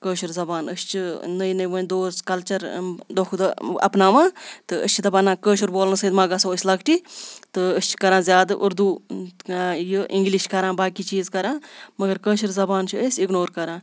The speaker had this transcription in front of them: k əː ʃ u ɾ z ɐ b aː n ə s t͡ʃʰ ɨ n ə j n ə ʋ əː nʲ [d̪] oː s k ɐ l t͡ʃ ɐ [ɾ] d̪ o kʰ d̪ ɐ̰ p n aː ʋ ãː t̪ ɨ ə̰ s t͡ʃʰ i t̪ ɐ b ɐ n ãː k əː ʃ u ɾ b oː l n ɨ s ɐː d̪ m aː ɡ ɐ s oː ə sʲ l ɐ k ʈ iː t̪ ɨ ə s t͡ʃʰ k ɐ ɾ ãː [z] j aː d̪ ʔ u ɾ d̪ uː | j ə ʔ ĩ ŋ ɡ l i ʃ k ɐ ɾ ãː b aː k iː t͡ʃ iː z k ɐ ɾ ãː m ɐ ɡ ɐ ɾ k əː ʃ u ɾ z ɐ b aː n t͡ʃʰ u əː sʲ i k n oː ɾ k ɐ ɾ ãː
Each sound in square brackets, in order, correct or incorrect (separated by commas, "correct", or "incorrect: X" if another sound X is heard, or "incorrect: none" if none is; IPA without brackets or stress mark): correct, correct, correct